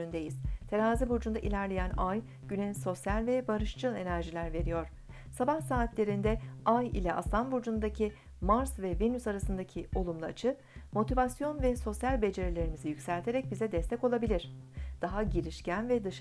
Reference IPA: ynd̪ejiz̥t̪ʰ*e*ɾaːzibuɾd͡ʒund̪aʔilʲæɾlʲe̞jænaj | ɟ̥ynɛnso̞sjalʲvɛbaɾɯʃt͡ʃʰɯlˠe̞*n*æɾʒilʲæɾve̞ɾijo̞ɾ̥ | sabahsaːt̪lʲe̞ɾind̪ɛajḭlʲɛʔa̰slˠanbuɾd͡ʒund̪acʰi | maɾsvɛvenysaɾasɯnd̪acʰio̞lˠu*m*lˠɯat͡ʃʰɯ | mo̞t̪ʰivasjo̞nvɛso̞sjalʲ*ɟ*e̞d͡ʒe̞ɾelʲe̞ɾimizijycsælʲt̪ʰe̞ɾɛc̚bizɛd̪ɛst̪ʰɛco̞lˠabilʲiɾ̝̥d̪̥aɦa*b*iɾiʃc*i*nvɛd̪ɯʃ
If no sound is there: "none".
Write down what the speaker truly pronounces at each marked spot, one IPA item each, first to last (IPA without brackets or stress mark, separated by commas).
e, n, m, b, ɟ, æ